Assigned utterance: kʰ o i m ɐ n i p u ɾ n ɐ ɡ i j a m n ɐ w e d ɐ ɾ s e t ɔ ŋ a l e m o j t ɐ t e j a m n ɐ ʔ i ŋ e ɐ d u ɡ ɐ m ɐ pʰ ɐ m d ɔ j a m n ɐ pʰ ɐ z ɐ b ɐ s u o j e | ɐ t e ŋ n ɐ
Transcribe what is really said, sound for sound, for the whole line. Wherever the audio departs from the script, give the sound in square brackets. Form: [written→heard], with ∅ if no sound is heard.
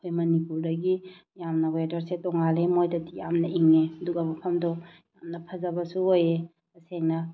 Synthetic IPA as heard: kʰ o [i→j] m ɐ n i p u ɾ [n→d] ɐ ɡ i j a m n ɐ w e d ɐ ɾ s e t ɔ ŋ a l e m o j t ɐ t [e→i] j a m n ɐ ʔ i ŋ e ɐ d u ɡ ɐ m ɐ pʰ ɐ m d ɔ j a m n ɐ pʰ ɐ z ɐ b ɐ s u o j e | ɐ [t→s] e ŋ n ɐ